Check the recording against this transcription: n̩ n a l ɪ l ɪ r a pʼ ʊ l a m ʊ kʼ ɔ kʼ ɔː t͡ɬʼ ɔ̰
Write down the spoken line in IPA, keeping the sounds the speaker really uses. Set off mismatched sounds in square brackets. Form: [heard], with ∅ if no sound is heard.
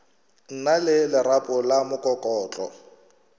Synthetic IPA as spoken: n̩ n a l ɪ l ɪ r a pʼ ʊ l a m ʊ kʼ ɔ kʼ ɔː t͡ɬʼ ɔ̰

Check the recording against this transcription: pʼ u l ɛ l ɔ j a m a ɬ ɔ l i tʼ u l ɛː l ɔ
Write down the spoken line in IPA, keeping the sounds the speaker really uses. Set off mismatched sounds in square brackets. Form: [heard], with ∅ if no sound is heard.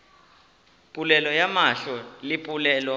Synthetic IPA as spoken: pʼ u l ɛ l ɔ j a m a ɬ ɔ l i [pʼ] u l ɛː l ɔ

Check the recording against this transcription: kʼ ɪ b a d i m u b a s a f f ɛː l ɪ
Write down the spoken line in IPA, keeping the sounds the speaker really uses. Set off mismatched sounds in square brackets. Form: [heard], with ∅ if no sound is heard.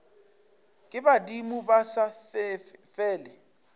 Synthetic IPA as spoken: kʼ ɪ b a d i m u b a s a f f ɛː l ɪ

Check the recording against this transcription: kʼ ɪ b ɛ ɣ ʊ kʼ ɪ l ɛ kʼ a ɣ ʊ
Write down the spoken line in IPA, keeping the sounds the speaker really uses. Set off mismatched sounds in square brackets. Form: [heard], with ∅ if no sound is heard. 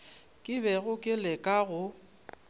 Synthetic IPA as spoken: kʼ ɪ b ɛ ɣ ʊ kʼ ɪ l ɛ kʼ a ɣ ʊ

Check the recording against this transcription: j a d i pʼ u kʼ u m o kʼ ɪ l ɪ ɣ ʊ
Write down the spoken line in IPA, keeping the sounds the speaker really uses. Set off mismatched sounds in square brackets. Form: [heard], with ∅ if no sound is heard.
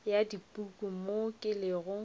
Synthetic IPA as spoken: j a d i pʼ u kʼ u m o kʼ ɪ l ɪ ɣ ʊ

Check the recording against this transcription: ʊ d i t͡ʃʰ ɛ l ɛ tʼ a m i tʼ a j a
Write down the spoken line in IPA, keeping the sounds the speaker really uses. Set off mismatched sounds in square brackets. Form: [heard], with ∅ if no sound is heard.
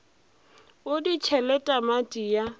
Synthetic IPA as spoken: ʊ d i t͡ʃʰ ɛ l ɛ tʼ a m [a] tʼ [i] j a

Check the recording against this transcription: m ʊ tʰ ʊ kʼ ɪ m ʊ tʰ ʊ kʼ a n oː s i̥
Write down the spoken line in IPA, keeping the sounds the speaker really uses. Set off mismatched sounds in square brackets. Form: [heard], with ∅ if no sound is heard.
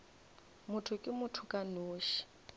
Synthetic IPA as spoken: m ʊ tʰ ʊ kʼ ɪ m ʊ tʰ ʊ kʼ a n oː [ʃ] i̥

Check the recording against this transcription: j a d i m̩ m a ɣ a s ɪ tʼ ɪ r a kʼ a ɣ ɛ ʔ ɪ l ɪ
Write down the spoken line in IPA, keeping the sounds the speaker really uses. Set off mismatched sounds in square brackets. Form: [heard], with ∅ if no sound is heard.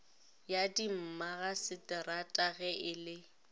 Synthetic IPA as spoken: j a d i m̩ m a ɣ a s ɪ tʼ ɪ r a [tʼ] a ɣ ɛ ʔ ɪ l ɪ

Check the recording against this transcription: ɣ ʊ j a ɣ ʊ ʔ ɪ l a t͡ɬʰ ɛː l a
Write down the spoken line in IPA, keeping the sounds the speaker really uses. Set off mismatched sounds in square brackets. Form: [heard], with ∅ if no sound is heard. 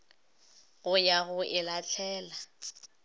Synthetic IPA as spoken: ɣ ʊ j a ɣ ʊ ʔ ɪ l a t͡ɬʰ ɛː l a

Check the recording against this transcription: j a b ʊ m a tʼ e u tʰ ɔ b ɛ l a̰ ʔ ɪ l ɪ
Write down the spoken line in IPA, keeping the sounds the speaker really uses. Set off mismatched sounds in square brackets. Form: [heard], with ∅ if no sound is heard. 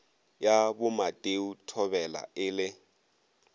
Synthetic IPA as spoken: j a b ʊ m a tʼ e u tʰ ɔ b ɛ l a̰ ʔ ɪ l ɪ

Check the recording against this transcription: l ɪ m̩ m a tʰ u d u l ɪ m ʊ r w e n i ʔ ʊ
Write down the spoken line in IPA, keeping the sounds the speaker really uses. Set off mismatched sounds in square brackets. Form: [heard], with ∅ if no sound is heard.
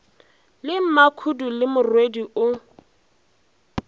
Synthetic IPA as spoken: l ɪ m̩ m a [kʰ] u d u l ɪ m ʊ r w e [d] i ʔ ʊ

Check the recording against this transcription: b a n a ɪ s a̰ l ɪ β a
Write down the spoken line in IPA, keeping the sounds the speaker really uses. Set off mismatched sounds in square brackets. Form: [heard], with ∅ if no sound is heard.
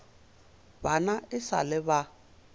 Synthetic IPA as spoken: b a n a ɪ s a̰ l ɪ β a

